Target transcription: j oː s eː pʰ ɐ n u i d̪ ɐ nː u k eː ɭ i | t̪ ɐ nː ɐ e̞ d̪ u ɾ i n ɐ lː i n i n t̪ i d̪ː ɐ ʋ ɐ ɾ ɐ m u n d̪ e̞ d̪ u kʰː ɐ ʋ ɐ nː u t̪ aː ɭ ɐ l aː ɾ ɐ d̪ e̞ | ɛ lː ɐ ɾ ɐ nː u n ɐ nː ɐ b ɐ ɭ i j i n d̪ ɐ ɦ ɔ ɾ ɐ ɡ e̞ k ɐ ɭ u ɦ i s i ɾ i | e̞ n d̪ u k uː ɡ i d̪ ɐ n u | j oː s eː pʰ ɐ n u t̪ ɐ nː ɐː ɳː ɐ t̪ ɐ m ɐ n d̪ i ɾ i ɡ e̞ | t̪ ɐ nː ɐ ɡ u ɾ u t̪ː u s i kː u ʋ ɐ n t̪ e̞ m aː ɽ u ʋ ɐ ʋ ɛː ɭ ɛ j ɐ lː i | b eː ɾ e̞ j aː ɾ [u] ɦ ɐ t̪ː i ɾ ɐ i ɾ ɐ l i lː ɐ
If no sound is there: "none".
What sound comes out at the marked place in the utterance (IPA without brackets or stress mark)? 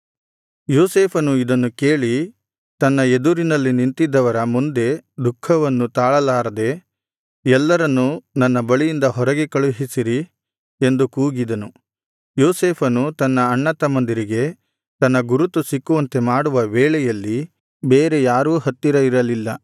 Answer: uː